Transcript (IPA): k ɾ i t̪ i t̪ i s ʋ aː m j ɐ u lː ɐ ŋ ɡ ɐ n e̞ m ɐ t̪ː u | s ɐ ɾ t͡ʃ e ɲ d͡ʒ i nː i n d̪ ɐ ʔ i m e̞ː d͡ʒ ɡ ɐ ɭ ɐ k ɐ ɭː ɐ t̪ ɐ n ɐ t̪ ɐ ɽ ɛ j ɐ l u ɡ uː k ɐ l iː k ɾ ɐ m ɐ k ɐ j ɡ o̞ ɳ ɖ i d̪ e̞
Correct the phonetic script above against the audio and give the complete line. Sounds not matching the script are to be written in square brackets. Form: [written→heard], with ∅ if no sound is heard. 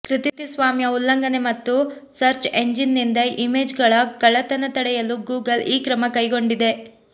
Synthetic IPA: k ɾ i t̪ i t̪ i s ʋ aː m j ɐ u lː ɐ ŋ ɡ ɐ n e̞ m ɐ t̪ː u | s ɐ ɾ t͡ʃ e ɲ d͡ʒ i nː i n d̪ ɐ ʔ i m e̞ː d͡ʒ ɡ ɐ ɭ ɐ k ɐ [ɭː→ɭ] ɐ t̪ ɐ n ɐ t̪ ɐ ɽ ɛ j ɐ l u ɡ uː [k→ɡ] ɐ l iː k ɾ ɐ m ɐ k ɐ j ɡ o̞ ɳ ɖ i d̪ e̞